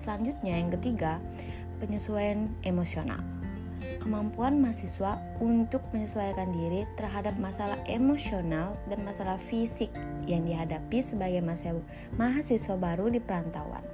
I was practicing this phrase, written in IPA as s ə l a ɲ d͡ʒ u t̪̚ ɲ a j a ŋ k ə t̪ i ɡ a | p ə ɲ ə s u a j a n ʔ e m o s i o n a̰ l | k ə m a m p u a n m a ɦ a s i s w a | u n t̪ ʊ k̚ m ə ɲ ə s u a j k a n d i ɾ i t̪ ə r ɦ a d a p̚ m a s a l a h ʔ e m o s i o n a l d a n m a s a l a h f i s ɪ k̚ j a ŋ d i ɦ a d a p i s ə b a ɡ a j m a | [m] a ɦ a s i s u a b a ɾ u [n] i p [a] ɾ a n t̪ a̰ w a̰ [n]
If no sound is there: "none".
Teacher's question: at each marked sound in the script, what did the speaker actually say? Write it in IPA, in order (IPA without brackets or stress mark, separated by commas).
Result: m, d, ə, n